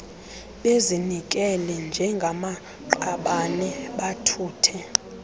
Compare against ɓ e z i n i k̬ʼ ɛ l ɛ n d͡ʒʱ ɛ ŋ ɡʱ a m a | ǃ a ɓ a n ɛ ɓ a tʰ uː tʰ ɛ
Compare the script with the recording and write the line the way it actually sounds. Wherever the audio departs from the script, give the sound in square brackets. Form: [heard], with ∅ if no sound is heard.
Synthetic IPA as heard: ɓ e z i n i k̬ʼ ɛ l ɛ n d͡ʒʱ ɛ ŋ ɡʱ a m a | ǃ a ɓ a n ɛ ɓ a tʰ uː tʰ ɛ